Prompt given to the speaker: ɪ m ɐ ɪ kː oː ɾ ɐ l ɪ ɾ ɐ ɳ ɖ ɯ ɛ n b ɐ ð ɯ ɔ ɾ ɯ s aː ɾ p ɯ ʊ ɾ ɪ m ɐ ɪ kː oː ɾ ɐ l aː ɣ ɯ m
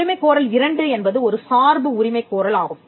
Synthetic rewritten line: ɪ m ɐ ɪ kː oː ɾ ɐ l ɪ ɾ ɐ ɳ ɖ ɯ ɛ n b ɐ ð ɯ ɔ ɾ ɯ s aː ɾ b ɯ ʊ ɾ ɪ m ɐ ɪ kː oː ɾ ɐ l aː ɣ ɯ m